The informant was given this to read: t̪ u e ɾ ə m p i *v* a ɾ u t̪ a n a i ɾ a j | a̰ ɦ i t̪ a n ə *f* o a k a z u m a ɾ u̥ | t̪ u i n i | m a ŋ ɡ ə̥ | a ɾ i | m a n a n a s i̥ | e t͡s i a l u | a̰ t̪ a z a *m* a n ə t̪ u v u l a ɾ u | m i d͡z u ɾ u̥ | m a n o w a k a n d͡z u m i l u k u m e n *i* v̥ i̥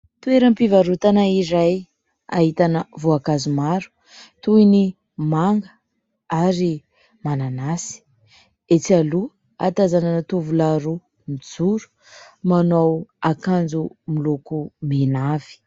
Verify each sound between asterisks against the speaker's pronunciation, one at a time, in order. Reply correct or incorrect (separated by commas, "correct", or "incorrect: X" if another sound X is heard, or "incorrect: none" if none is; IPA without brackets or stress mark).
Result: correct, incorrect: v, incorrect: n, incorrect: a